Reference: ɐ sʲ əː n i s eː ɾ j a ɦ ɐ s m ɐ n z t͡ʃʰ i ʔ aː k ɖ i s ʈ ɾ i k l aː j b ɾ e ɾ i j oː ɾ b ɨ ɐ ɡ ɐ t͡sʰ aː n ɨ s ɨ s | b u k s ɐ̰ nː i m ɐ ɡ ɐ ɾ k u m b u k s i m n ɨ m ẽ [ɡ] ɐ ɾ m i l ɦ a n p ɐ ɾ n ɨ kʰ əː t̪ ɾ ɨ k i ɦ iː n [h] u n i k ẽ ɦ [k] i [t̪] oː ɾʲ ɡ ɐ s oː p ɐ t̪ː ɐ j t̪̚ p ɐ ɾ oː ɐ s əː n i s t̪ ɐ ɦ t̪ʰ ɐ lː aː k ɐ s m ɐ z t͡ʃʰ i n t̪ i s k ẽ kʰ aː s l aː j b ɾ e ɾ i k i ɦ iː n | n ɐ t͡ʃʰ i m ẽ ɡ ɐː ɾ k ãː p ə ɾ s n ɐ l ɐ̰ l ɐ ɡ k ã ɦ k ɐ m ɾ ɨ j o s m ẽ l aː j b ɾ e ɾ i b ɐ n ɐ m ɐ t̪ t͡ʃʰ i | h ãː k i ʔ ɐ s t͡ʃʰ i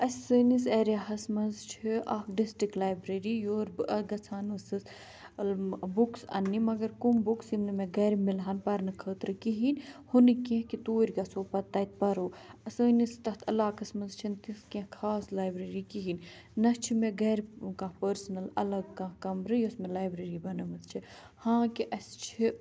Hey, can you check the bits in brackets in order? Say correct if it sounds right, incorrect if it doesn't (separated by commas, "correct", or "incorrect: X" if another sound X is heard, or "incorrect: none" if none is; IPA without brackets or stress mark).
correct, correct, correct, correct